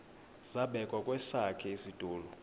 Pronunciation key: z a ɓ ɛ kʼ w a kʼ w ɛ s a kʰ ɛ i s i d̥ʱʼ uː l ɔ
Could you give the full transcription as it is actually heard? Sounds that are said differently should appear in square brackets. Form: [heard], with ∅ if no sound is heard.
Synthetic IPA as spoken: z a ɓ ɛ kʼ w a kʼ w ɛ s a kʰ ɛ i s i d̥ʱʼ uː l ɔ